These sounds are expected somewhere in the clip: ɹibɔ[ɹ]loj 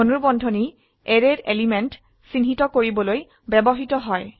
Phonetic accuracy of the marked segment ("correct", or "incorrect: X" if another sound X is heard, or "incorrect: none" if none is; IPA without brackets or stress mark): incorrect: none